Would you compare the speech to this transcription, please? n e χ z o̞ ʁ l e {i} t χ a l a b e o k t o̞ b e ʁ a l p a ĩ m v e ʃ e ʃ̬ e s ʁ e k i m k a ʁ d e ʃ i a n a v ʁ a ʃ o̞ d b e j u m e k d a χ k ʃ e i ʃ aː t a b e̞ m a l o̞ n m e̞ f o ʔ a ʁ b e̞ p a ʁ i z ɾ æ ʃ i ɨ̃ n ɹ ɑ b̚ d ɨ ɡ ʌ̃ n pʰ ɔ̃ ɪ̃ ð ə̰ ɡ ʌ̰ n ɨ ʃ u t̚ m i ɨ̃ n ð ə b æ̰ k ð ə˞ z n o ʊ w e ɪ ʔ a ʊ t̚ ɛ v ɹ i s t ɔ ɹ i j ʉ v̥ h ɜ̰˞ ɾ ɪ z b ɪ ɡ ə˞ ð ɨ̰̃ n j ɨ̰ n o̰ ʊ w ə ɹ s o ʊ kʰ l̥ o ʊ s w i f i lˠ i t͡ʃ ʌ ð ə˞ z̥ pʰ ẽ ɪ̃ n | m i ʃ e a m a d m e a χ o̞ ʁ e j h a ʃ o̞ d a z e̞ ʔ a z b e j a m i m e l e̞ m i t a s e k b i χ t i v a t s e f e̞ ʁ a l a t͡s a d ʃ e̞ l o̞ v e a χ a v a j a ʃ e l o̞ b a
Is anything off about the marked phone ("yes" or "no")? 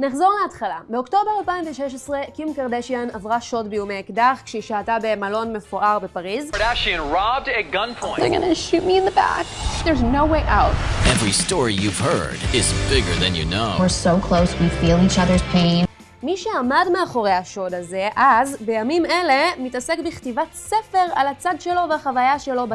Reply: yes